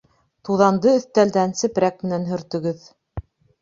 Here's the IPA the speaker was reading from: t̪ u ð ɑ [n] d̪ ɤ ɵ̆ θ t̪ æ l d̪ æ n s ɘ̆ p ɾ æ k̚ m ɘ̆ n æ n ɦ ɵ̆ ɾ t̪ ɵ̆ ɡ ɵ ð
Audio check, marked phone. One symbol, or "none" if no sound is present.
n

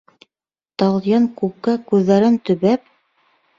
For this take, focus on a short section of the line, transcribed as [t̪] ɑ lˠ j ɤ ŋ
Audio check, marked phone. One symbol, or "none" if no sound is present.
t̪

